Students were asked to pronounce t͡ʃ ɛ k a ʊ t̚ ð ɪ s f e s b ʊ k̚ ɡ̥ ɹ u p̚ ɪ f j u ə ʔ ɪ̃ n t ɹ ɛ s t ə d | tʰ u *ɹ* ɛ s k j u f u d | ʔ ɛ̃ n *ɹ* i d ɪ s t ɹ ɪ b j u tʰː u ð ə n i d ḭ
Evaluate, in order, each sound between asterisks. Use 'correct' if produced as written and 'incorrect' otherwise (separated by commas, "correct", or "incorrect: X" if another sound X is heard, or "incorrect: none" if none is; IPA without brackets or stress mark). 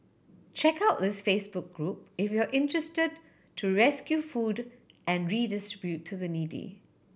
correct, correct